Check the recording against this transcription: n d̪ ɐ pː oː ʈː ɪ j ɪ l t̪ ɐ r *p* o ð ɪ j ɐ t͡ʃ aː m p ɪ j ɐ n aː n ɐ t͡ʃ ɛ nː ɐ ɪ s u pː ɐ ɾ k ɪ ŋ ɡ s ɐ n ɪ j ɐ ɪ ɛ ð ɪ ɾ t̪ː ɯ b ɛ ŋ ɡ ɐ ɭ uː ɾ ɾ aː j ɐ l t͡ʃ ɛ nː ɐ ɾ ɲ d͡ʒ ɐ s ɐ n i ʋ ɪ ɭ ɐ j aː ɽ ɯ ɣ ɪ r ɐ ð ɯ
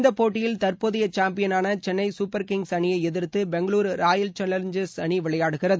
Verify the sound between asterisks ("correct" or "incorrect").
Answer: correct